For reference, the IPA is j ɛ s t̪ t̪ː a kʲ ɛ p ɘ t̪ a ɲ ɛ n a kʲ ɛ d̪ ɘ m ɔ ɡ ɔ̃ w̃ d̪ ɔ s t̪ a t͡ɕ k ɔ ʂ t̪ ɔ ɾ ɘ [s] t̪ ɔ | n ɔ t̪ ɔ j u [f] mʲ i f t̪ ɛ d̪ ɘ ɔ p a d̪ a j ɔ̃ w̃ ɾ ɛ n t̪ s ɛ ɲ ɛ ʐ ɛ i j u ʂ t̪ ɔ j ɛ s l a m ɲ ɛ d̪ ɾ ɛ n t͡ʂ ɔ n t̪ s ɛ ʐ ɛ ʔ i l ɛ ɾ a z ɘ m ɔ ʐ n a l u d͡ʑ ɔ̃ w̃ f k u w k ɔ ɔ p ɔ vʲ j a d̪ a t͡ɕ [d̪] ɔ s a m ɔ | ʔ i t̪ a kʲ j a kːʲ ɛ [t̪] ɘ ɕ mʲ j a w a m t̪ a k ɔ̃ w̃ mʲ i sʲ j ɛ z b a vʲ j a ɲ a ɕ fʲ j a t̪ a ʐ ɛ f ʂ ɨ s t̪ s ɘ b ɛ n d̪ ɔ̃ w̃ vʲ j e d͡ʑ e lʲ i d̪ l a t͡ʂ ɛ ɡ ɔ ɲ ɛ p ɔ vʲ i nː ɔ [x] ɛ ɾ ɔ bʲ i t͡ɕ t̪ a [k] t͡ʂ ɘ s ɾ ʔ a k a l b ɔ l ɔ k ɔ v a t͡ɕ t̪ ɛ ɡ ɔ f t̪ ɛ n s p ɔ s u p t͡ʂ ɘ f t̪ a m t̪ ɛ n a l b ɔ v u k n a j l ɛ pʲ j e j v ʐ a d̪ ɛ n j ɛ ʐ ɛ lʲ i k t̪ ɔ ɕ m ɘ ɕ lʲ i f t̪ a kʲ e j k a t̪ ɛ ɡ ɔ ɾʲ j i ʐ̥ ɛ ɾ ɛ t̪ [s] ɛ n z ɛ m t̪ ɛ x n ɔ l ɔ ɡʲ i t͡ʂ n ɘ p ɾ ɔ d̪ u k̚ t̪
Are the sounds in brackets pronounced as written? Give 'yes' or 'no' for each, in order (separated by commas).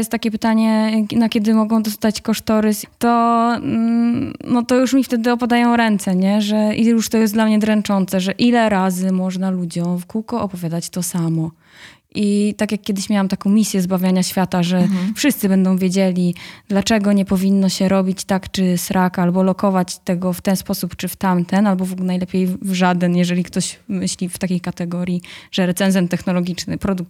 yes, no, no, no, no, yes, yes